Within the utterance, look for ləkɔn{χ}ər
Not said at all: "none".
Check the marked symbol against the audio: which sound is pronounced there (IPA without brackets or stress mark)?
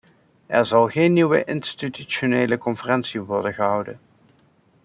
f